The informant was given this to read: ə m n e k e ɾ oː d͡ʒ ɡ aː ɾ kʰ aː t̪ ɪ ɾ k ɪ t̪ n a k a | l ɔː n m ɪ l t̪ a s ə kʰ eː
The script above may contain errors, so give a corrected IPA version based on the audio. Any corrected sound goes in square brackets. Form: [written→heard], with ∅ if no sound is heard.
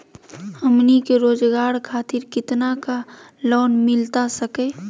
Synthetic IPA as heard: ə m n [e→i] k e ɾ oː d͡ʒ ɡ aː ɾ kʰ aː t̪ ɪ ɾ k ɪ t̪ n a k a | l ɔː n m ɪ l t̪ a s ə [kʰ→k] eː